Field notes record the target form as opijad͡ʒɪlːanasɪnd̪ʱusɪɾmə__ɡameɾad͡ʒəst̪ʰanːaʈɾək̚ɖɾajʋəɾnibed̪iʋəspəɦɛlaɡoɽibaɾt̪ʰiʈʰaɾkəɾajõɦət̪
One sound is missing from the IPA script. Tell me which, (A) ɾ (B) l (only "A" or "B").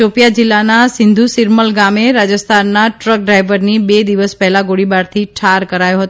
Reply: B